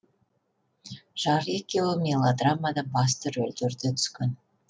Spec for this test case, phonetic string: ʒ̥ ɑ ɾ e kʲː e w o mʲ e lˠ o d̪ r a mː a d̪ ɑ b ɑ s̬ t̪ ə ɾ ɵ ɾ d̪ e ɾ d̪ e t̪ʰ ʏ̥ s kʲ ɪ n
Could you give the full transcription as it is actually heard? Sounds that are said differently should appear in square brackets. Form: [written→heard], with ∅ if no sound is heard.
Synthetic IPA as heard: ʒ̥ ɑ ɾ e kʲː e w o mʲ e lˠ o d̪ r a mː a d̪ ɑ b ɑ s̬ t̪ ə ɾ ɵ [ɾ→l] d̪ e ɾ d̪ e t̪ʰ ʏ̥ s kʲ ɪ n